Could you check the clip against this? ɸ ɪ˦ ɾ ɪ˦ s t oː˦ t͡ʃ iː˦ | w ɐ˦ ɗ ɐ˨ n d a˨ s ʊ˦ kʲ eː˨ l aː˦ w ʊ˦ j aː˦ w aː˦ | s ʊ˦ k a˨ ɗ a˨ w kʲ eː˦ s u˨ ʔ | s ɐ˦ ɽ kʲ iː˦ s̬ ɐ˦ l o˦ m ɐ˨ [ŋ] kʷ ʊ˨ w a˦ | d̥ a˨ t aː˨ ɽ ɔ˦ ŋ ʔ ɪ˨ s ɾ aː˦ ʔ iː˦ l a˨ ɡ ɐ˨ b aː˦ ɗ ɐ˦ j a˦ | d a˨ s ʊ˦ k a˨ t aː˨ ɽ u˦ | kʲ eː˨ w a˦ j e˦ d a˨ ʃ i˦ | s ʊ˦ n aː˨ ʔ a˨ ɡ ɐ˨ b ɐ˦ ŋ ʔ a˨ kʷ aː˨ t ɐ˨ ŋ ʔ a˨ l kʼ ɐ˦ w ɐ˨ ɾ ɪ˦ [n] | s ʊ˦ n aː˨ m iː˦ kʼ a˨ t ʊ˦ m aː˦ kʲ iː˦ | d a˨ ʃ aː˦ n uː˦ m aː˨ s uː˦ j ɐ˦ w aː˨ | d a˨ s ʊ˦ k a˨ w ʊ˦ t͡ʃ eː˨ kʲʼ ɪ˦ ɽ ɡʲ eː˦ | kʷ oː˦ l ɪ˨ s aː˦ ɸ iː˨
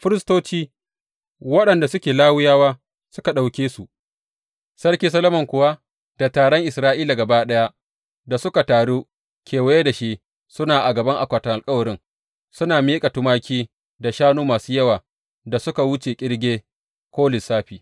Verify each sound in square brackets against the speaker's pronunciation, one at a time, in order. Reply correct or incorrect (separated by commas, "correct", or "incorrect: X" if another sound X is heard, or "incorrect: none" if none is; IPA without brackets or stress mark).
correct, incorrect: ŋ